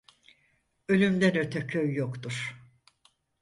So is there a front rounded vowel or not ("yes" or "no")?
yes